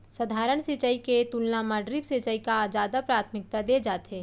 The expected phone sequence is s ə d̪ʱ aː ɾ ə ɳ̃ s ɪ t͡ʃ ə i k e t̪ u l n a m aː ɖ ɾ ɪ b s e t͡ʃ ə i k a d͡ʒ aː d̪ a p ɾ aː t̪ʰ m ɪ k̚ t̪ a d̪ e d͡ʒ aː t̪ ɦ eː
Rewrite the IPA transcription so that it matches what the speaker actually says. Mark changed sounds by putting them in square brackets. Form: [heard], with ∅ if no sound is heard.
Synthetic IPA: s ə d̪ʱ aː ɾ ə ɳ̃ s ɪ t͡ʃ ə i k e t̪ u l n a m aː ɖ ɾ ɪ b s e t͡ʃ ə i k a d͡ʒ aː d̪ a p ɾ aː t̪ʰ m ɪ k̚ t̪ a d̪ e d͡ʒ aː t̪ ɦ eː